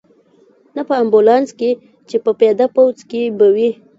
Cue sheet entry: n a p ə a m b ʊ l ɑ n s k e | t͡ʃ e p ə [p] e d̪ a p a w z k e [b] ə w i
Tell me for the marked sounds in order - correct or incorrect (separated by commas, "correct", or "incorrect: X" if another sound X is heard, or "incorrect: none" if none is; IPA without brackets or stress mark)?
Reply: correct, correct